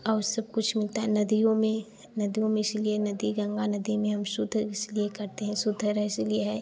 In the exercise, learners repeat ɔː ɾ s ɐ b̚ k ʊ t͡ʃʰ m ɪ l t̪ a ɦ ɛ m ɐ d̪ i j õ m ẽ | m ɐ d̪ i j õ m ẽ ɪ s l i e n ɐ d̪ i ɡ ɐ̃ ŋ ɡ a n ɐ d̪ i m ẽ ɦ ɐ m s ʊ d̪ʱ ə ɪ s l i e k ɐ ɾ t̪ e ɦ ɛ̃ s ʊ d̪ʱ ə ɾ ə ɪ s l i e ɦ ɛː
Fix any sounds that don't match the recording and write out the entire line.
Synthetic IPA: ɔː ɾ s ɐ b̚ k ʊ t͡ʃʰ m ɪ l t̪ a ɦ ɛ n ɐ d̪ i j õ m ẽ | n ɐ d̪ i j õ m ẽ ɪ s l i e n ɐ d̪ i ɡ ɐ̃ ŋ ɡ a n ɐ d̪ i m ẽ ɦ ɐ m s ʊ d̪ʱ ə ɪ s l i e k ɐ ɾ t̪ e ɦ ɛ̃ s ʊ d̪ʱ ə ɾ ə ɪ s l i e ɦ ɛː